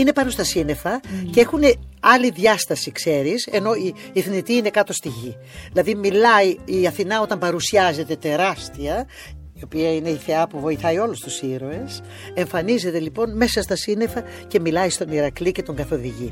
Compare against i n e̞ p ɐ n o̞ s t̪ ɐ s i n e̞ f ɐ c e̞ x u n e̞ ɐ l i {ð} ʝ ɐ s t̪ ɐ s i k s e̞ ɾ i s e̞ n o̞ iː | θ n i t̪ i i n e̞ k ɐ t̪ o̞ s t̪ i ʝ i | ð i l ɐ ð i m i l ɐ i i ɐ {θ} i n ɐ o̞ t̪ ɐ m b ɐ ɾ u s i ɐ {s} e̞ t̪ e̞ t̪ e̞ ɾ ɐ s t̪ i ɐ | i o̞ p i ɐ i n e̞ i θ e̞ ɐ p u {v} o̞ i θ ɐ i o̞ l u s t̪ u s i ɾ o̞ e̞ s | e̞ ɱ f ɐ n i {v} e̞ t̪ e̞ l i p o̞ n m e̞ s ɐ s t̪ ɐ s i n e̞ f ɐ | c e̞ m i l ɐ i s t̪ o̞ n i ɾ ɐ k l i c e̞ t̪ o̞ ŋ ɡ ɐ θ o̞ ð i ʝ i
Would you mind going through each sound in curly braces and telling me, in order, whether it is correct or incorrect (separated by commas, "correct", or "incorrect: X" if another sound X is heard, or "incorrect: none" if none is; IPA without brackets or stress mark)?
correct, correct, incorrect: z, correct, incorrect: z